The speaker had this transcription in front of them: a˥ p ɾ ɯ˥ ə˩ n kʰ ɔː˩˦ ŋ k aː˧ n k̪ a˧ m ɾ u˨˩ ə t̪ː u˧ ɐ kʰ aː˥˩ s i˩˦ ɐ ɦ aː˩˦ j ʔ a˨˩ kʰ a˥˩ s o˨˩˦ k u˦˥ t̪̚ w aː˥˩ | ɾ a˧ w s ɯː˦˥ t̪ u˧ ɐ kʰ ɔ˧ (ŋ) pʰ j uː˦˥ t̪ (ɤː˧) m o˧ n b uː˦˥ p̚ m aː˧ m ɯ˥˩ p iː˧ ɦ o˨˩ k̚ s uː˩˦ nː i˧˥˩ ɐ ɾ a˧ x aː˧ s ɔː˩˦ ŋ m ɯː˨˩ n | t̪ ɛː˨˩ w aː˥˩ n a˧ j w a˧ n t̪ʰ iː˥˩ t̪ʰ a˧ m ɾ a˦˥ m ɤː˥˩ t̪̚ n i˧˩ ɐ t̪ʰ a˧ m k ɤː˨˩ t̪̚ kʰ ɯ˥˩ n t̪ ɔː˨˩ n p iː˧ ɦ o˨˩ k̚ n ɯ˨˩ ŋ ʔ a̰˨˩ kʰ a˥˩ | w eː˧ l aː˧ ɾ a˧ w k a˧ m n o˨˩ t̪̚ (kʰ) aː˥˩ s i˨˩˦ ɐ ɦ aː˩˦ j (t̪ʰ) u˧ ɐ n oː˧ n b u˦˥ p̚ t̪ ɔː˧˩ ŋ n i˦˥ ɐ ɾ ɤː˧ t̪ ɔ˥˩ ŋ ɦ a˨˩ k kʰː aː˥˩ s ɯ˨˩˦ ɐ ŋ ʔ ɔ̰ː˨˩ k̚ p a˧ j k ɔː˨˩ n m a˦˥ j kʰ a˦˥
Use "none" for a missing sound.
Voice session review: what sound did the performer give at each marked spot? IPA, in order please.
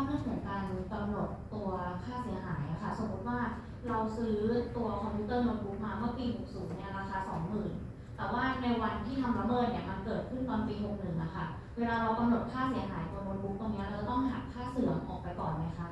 m, ɤː˥˩, kʰ, t̪

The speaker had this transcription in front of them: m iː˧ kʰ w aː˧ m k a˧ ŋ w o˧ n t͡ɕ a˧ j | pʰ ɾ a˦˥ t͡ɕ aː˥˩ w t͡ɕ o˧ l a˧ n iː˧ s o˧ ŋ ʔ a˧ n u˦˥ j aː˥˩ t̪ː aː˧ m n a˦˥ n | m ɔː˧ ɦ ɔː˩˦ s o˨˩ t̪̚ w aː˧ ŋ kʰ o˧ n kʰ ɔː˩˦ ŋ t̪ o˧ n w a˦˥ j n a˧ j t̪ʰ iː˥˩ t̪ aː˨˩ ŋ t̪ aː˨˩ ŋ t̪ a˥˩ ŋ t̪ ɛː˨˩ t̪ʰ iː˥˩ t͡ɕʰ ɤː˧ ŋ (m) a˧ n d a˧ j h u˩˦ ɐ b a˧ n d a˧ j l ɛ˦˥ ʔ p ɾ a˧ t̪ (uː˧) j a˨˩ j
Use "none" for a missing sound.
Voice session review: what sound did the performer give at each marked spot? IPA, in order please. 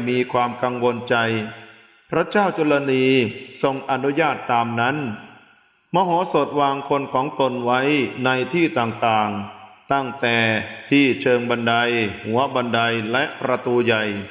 b, uː˧

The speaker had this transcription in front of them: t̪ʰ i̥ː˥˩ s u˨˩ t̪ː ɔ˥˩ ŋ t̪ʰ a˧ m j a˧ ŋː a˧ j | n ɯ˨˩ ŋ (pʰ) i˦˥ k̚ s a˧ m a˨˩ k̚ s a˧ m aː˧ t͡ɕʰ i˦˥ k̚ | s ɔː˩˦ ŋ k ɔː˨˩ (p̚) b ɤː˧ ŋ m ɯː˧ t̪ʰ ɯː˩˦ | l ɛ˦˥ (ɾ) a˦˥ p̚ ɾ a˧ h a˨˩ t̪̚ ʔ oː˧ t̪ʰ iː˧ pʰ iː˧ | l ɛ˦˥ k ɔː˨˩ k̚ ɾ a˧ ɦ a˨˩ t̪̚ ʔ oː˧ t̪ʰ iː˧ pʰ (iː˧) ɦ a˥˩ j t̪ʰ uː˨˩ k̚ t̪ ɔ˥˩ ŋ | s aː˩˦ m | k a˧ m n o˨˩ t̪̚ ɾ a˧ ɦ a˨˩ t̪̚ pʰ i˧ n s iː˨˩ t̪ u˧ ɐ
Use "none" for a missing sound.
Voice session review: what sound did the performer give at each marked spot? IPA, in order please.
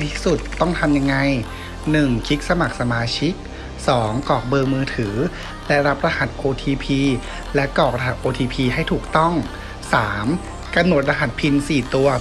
kʰ, k̚, ɾ, iː˧

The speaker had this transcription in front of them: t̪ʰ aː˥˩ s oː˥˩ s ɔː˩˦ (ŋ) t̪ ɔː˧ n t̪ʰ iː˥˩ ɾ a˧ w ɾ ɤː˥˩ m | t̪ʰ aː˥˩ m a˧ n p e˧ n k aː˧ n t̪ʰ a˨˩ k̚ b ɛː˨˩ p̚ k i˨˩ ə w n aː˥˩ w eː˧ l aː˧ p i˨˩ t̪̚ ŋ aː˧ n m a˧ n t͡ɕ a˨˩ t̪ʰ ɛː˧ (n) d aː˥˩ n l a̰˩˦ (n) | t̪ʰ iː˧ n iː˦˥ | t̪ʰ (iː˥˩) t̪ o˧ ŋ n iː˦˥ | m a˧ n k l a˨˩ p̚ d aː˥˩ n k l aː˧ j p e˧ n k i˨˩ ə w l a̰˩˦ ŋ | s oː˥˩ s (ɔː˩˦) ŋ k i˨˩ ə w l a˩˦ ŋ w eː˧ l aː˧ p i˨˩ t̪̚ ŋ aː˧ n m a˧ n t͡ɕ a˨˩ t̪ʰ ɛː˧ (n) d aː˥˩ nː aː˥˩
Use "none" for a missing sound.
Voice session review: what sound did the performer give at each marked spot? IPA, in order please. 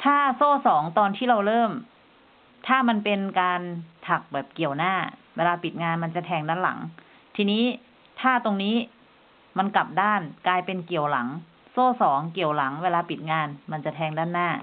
ŋ, ŋ, ŋ, aː˥˩, ɔː˩˦, ŋ

